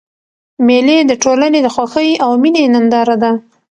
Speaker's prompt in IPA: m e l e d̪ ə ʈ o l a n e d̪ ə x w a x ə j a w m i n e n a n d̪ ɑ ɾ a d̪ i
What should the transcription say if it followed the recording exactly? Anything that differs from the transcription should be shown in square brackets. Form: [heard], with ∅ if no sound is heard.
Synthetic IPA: m e l e d̪ ə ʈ o l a n e d̪ ə x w a x ə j a w m i n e n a n d̪ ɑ ɾ a d̪ [a]